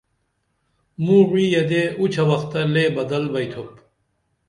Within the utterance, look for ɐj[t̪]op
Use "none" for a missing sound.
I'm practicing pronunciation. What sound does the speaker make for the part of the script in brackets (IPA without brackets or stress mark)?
t̪ʰ